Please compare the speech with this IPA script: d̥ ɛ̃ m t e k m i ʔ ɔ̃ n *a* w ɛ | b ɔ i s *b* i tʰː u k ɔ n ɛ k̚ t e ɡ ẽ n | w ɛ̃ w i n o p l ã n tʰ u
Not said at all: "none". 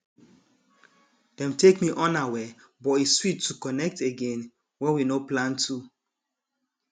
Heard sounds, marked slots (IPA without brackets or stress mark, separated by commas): a, w